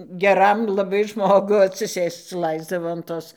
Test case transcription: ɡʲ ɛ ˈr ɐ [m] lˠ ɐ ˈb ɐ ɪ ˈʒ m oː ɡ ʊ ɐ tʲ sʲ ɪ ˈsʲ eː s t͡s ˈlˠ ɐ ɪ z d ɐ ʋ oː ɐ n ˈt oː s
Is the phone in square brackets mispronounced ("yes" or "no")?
no